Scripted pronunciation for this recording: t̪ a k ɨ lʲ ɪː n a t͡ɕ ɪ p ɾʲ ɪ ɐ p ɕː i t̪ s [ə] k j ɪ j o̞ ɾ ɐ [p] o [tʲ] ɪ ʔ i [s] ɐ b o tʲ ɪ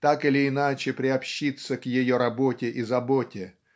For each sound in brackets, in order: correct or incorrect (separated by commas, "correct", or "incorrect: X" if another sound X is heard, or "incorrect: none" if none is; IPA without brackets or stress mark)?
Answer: correct, incorrect: b, correct, incorrect: z